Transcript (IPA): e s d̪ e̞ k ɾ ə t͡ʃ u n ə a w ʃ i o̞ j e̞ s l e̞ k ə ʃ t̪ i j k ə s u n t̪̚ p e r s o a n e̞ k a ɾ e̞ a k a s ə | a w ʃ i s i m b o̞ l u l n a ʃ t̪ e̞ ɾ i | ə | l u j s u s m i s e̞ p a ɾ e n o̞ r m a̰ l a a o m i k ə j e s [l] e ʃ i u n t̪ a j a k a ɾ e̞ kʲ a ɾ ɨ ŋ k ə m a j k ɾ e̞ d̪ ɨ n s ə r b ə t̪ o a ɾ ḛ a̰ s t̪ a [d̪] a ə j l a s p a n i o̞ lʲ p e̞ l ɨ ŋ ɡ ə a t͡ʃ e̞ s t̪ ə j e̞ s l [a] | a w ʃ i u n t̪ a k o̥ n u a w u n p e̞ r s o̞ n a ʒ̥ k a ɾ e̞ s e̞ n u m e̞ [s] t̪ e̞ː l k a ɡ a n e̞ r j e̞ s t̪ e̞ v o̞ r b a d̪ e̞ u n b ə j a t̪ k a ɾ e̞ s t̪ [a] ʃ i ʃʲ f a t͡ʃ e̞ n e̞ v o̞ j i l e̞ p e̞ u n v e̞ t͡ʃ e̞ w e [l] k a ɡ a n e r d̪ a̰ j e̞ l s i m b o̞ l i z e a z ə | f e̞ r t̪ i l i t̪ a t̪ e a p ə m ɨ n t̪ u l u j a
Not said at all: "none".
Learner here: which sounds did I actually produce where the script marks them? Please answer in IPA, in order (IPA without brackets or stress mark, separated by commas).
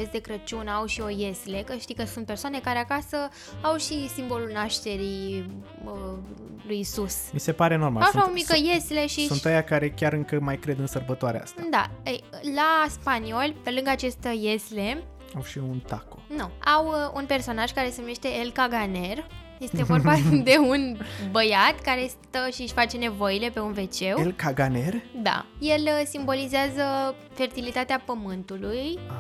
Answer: l, d̪, e, ʃ, ə, l